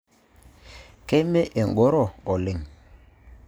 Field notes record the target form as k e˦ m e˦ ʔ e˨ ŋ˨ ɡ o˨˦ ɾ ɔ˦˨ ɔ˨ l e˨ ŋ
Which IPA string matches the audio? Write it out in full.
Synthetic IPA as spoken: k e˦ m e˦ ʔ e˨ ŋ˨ ɡ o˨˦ ɾ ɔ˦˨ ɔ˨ l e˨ ŋ